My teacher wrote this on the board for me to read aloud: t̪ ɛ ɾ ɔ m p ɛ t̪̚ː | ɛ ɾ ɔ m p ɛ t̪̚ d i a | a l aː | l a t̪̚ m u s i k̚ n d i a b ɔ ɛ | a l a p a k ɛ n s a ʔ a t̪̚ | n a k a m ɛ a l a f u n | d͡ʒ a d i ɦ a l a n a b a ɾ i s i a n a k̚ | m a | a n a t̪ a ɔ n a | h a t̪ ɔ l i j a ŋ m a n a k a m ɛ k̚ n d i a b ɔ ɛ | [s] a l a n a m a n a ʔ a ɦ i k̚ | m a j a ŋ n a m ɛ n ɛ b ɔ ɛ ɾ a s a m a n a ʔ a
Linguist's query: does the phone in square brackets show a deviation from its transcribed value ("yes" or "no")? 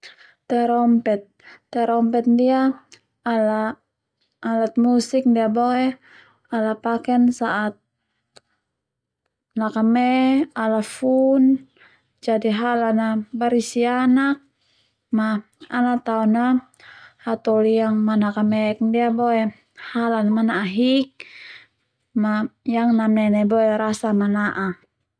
yes